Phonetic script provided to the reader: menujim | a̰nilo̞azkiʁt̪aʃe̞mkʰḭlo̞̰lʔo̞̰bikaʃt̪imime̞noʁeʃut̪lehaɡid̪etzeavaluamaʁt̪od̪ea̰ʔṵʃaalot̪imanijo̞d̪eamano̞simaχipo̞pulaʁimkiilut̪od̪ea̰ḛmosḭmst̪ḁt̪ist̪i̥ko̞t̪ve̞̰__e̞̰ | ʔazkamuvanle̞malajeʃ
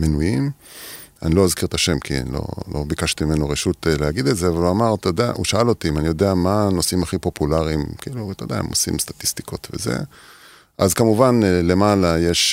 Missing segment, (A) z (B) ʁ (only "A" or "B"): A